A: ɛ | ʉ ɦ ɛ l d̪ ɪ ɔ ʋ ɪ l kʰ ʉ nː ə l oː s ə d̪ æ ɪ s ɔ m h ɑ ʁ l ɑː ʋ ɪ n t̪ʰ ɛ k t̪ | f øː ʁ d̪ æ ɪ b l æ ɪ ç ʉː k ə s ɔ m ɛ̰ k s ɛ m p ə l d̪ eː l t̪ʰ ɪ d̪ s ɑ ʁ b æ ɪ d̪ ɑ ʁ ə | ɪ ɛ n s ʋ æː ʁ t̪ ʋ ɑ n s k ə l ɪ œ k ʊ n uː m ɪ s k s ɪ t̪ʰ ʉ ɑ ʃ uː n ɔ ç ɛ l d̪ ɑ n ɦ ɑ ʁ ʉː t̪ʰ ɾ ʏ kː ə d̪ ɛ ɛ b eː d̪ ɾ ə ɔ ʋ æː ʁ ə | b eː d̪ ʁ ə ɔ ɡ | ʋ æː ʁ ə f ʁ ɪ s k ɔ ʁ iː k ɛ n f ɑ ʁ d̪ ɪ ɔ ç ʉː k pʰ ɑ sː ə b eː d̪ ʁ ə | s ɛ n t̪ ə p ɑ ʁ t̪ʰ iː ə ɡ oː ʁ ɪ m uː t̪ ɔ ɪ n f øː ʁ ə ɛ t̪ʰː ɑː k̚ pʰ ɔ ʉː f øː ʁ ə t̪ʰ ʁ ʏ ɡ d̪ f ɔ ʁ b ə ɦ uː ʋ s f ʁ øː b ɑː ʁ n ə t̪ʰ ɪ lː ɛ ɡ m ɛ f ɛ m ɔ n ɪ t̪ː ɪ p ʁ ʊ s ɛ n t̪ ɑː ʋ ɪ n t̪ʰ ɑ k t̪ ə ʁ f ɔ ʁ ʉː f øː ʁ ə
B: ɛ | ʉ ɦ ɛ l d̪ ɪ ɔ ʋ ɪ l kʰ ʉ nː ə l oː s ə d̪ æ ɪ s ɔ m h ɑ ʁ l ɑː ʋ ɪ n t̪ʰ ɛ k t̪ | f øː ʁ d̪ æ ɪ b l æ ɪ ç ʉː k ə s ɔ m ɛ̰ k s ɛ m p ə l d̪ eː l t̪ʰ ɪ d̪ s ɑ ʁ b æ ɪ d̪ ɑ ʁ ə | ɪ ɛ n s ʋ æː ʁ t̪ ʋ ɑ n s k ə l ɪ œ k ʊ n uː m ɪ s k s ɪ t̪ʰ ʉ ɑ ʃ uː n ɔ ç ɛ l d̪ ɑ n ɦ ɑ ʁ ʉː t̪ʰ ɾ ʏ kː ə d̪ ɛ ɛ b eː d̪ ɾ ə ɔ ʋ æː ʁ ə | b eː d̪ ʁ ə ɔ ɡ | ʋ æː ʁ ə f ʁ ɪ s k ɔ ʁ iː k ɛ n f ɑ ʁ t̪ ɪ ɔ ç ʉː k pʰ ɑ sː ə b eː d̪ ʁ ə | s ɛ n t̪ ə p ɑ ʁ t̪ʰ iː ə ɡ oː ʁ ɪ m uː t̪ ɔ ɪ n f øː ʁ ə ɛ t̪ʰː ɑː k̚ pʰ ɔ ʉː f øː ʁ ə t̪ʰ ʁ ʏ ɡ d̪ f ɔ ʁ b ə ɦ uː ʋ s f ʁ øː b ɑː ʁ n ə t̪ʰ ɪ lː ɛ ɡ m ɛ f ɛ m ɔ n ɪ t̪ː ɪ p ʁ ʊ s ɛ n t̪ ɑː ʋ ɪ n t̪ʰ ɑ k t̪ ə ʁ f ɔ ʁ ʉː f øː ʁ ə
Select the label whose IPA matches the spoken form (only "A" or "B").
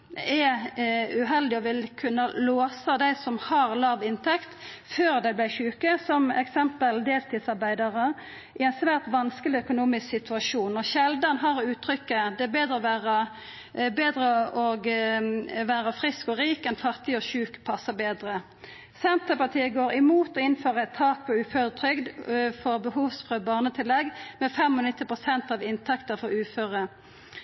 B